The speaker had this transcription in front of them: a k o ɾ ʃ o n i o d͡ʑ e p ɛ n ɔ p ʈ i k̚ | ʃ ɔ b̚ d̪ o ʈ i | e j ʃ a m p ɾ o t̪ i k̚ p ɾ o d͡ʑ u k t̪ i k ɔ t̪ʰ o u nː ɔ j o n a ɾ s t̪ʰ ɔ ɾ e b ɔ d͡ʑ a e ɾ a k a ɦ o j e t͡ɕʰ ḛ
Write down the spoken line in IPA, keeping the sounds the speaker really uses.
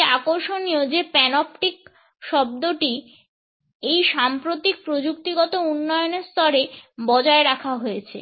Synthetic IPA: a k o ɾ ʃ o n i o d͡ʑ e p ɛ n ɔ p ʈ i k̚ | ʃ ɔ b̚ d̪ o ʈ i | e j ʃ a m p ɾ o t̪ i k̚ p ɾ o d͡ʑ u k t̪ i ɡ ɔ t̪ o u nː ɔ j o n e ɾ s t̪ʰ ɔ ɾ e b ɔ d͡ʑ a e ɾ a kʰ a ɦ o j e t͡ɕʰ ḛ